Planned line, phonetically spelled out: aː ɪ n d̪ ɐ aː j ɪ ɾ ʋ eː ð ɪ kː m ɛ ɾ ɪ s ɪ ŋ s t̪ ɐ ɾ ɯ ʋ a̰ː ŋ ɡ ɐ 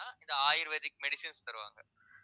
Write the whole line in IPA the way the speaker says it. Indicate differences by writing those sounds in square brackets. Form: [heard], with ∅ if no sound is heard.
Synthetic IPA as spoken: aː ɪ n d̪ ɐ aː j ɪ ɾ ʋ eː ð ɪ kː m ɛ [ɽ] ɪ s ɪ [n] s t̪ ɐ ɾ ɯ ʋ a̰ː ŋ ɡ ɐ